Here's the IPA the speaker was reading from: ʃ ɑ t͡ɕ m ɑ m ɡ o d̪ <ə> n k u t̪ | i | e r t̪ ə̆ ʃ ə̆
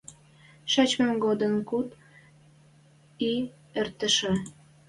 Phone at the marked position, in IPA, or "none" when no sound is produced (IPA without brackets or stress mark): ə